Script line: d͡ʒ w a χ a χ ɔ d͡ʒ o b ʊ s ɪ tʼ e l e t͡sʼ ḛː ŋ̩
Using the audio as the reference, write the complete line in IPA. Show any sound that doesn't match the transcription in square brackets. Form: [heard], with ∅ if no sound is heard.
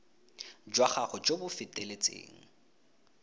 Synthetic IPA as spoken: d͡ʒ w a χ a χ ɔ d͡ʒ o b ʊ [f] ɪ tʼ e l e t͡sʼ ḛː ŋ̩